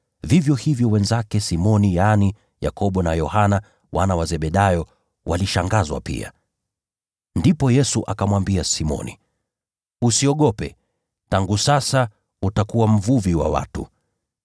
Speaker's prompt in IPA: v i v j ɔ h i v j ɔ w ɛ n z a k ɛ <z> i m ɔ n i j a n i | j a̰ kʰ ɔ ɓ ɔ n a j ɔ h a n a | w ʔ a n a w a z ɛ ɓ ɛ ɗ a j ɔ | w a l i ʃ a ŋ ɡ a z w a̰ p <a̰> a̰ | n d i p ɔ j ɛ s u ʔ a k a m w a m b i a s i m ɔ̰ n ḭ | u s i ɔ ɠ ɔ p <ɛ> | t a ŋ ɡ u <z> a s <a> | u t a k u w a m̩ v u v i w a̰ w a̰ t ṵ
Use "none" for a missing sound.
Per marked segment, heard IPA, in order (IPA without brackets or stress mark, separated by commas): s, ḭ, ɛ, s, a